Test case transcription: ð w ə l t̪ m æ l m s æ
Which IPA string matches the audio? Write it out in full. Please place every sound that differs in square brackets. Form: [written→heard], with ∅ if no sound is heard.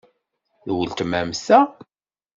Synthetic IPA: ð w ə l t̪ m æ [l→∅] m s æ